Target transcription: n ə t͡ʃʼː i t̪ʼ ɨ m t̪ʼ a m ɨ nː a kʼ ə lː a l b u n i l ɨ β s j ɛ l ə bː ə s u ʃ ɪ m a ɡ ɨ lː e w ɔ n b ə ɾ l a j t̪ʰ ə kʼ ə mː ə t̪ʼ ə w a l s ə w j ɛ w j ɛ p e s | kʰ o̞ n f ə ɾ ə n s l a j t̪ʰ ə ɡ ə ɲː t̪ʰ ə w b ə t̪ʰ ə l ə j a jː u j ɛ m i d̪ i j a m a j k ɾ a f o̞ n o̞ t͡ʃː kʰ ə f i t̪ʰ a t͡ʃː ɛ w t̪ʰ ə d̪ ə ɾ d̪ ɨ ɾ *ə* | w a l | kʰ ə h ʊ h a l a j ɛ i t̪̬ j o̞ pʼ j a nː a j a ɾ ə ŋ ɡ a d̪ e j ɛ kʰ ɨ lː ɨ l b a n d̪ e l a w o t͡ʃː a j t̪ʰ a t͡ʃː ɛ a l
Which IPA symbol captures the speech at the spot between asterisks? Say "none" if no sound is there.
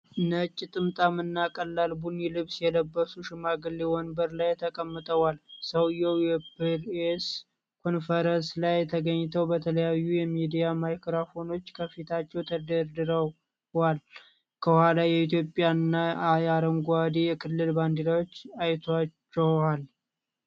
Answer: ə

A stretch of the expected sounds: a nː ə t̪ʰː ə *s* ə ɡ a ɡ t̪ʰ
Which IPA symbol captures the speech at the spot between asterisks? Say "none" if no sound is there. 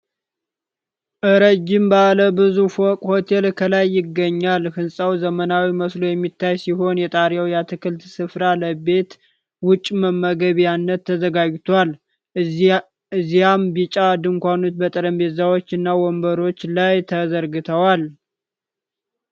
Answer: z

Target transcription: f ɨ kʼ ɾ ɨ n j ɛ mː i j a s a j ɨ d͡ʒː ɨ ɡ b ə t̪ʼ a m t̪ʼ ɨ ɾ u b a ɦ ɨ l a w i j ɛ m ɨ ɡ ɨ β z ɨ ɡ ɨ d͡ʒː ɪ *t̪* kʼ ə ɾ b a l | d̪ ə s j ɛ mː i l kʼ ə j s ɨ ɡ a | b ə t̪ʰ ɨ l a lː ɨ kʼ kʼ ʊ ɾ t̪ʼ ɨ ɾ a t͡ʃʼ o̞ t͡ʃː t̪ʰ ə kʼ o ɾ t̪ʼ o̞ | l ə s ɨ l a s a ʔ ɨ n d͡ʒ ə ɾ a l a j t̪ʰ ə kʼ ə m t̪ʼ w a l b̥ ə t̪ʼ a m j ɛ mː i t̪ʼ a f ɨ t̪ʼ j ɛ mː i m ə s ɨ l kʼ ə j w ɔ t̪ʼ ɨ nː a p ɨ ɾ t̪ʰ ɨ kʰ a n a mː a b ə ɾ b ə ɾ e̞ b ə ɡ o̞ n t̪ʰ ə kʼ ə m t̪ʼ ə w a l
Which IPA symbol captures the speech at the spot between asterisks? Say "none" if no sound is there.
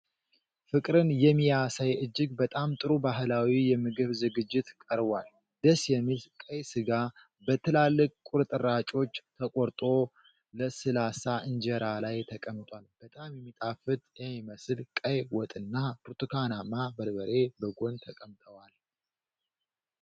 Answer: t̪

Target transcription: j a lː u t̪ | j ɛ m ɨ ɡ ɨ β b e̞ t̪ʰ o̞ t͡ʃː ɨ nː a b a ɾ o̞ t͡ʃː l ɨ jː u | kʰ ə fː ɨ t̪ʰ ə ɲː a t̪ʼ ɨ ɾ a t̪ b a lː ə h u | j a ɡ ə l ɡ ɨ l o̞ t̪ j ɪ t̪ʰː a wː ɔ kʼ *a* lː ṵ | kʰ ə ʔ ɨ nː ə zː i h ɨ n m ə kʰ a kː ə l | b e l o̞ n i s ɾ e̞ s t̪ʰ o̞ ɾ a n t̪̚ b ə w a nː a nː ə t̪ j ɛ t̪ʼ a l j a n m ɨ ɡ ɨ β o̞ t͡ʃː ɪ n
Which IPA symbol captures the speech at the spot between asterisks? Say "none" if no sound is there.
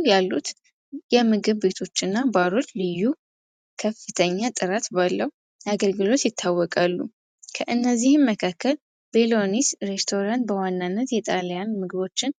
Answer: a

